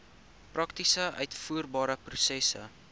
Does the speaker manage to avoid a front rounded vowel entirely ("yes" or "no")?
no